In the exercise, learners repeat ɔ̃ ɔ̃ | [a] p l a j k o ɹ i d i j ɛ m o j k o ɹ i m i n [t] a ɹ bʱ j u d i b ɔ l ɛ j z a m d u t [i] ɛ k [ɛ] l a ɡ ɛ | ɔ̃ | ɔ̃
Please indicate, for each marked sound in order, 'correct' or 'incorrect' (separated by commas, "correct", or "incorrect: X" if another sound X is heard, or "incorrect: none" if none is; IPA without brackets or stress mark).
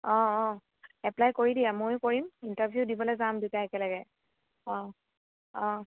incorrect: ɛ, correct, incorrect: a, correct